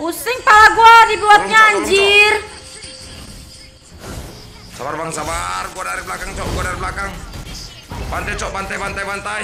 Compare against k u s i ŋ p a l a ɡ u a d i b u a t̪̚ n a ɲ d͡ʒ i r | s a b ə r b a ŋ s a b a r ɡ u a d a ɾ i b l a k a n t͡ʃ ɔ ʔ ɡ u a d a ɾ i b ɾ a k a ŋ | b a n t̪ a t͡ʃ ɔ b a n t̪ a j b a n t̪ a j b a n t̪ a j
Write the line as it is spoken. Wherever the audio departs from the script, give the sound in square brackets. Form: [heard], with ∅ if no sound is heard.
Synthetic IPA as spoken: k u s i ŋ p a l a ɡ u a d i b u a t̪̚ [ɲ] a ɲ d͡ʒ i r | s a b [a] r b a ŋ s a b a r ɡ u a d a ɾ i b l a k a [ŋ] t͡ʃ ɔ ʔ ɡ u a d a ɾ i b [l] a k a ŋ | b a n t̪ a t͡ʃ ɔ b a n t̪ a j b a n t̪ a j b a n t̪ a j

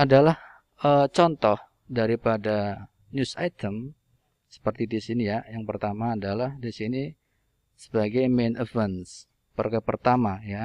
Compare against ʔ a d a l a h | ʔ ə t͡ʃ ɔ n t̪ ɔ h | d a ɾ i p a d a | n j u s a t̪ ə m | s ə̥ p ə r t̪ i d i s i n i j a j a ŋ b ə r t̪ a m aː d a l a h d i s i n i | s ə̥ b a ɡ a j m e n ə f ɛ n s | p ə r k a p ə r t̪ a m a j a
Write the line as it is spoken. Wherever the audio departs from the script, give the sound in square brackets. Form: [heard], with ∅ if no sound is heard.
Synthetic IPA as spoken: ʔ a d a l a h | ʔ ə t͡ʃ ɔ n t̪ ɔ h | d a ɾ i p a d a | n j u s a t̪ ə m | s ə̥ p ə r t̪ i d i s i n i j a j a ŋ [p] ə r t̪ a m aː d a l a h d i s i n i | s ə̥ b a ɡ a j m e n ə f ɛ n s | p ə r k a p ə r t̪ a m a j a

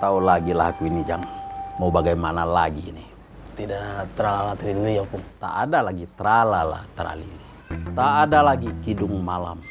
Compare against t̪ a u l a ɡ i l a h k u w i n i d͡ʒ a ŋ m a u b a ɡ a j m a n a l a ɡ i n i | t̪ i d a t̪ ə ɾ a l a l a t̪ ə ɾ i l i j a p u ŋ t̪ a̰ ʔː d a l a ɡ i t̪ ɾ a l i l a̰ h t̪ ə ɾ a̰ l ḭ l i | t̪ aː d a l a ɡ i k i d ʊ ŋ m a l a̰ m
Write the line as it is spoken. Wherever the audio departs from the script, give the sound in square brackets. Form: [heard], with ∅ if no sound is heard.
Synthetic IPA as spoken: t̪ a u l a ɡ i l a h k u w i n i d͡ʒ a ŋ m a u b a ɡ a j m a n a l a ɡ i n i | t̪ i d a t̪ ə ɾ a l a l a t̪ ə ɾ i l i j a p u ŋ t̪ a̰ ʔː d a l a ɡ i t̪ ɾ a l [a] l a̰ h t̪ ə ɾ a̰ l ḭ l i | t̪ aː d a l a ɡ i k i d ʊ ŋ m a l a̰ m

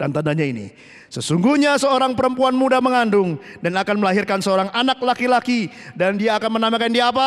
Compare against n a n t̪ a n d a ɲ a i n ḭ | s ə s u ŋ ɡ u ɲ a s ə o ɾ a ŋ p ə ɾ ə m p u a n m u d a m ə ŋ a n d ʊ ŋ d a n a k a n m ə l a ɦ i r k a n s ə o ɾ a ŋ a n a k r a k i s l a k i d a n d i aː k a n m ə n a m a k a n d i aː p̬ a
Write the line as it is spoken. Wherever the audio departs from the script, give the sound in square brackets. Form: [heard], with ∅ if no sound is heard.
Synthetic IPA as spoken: [d] a n t̪ a n d a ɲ a i n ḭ | s ə s u ŋ ɡ u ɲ a s ə o ɾ a ŋ p ə ɾ ə m p u a n m u d a m ə ŋ a n d ʊ ŋ d a n a k a n m ə l a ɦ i r k a n s ə o ɾ a ŋ a n a k [l] a k i [∅] l a k i d a n d i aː k a n m ə n a m a k a n d i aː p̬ a

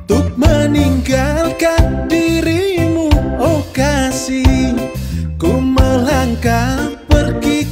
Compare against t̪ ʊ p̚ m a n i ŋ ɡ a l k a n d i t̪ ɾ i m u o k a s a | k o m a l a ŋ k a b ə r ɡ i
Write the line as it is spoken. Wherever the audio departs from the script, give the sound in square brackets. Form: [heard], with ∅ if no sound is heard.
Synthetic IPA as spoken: t̪ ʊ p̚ m [ə] n i ŋ ɡ a l k a n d i [∅] ɾ i m u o k a s [i] | k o m [ə] l a ŋ k a [p] ə r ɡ i

